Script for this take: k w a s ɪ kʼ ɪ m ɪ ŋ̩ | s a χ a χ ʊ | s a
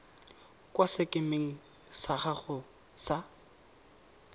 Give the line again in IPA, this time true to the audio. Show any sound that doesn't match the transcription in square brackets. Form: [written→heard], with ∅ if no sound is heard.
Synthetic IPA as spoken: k w a s ɪ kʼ ɪ m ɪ ŋ̩ | s a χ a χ ʊ | s a

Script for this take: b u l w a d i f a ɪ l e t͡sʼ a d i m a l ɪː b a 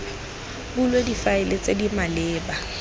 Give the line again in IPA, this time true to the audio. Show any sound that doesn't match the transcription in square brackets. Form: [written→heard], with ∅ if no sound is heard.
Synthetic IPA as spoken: b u l w [a→e] d i f a ɪ l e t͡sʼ [a→e] d i m a l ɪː b a

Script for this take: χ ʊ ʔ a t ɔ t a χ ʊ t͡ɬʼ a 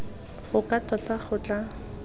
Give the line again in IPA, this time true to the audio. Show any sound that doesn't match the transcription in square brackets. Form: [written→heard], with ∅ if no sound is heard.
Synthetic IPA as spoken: χ ʊ [ʔ→k] a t ɔ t a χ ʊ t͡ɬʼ a

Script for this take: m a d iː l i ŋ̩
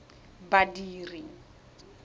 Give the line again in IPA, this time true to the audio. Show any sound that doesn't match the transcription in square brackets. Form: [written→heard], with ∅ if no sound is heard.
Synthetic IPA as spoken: [m→b] a d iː [l→r] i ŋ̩

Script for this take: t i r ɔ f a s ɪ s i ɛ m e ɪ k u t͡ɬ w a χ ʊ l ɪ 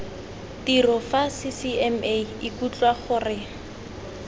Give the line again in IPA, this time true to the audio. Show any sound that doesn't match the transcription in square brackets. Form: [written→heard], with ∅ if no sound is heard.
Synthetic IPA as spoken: t i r ɔ f a s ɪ s i ɛ m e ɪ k u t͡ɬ w a χ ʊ [l→r] ɪ

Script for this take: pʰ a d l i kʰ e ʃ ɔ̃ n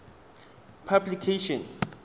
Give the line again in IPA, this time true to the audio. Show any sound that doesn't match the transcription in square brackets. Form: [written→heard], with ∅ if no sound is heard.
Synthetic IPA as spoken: pʰ a [d→b] l i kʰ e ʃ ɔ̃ n

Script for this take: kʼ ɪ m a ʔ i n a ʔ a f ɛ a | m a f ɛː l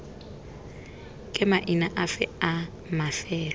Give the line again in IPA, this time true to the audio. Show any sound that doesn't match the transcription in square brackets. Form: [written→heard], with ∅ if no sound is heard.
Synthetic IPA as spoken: kʼ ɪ m a ʔ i n a ʔ a f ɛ a | m a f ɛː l

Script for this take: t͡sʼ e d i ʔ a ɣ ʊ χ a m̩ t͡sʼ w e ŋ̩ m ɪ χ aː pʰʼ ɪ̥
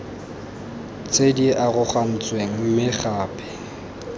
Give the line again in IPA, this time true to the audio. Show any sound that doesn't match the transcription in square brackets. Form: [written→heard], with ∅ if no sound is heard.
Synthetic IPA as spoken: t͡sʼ e d i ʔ a ɣ ʊ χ a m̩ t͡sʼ w e ŋ̩ m ɪ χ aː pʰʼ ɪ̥

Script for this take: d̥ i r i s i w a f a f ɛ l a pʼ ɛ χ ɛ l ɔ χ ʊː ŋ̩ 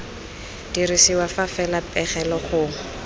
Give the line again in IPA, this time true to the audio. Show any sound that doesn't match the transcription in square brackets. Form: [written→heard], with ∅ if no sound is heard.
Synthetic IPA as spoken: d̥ i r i s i w a f a f ɛ l a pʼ ɛ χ ɛ l ɔ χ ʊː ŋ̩

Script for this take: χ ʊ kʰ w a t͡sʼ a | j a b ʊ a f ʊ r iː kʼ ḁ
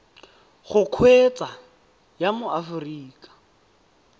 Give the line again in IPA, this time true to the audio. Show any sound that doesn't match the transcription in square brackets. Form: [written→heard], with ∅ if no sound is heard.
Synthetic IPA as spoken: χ ʊ kʰ w [a→e] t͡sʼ a | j a [b→m] ʊ a f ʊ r iː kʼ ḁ

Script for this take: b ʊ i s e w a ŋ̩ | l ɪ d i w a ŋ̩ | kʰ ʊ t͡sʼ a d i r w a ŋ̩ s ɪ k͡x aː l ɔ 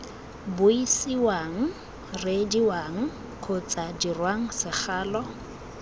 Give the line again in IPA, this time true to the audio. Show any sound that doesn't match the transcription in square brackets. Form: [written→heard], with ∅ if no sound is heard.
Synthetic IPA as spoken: b ʊ i s [e→i] w a ŋ̩ | [l→r] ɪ d i w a ŋ̩ | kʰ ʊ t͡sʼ a d i r w a ŋ̩ s ɪ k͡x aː l ɔ

